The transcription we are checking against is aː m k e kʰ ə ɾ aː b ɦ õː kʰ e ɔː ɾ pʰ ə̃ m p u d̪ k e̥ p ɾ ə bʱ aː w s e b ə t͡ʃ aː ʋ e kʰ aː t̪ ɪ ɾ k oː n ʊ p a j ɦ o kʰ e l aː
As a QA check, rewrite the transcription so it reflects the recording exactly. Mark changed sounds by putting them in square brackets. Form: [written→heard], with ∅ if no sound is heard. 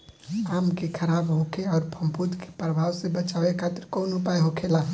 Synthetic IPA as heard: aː m k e kʰ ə ɾ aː b ɦ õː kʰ e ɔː ɾ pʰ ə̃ m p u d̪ k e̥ p ɾ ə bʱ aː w s e b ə t͡ʃ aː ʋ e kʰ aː t̪ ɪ ɾ k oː n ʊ p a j ɦ o kʰ e l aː